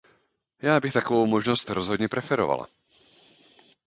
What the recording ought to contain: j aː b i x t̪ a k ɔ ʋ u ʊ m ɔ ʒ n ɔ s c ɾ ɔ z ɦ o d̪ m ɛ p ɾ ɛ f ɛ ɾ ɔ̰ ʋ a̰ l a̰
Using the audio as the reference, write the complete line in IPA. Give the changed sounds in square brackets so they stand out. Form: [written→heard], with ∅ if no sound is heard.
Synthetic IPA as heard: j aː b i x t̪ a k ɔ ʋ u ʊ m ɔ ʒ n ɔ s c ɾ ɔ z ɦ [o→ɔ] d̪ [m→ɲ] ɛ p ɾ ɛ f ɛ ɾ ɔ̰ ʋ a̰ l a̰